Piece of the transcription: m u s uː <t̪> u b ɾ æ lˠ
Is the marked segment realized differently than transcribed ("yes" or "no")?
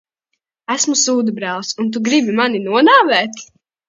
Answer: yes